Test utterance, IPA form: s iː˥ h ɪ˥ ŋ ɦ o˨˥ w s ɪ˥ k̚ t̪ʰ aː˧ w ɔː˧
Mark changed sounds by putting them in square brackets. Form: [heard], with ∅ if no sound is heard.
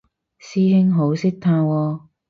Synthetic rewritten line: s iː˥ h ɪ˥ ŋ ɦ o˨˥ w s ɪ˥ k̚ t̪ʰ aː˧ w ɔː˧